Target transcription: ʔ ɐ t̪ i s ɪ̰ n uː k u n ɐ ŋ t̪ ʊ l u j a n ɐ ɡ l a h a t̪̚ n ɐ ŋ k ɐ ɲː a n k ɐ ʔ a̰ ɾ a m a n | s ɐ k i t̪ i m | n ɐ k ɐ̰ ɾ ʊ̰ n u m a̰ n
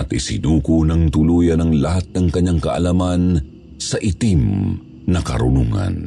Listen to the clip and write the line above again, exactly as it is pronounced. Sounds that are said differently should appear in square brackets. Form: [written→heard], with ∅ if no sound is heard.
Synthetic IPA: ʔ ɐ t̪ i s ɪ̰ n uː k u n ɐ ŋ t̪ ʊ l u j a n ɐ [ɡ→ŋ] l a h a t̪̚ n ɐ ŋ k ɐ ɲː a [n→ŋ] k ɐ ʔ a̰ [ɾ→l] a m a n | s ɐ [k→ʔ] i t̪ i m | n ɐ k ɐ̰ ɾ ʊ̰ n u [m→ŋ] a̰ n